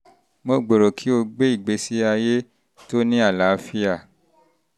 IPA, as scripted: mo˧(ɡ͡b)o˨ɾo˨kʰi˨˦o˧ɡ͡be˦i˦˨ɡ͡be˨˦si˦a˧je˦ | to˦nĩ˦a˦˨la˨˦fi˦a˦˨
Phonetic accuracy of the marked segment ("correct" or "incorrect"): correct